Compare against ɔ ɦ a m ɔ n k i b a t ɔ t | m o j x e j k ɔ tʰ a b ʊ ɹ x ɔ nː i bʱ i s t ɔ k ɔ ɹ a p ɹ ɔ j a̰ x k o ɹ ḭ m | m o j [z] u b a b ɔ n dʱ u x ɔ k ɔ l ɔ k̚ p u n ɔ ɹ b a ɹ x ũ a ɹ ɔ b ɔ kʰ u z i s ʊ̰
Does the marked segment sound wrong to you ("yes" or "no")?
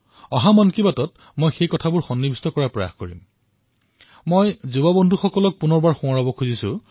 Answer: no